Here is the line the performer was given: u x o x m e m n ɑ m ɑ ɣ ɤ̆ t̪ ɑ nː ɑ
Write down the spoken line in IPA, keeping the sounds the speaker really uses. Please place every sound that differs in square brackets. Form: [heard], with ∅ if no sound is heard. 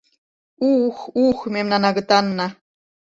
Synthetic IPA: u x [u] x m e m n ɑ [n] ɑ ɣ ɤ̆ t̪ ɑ nː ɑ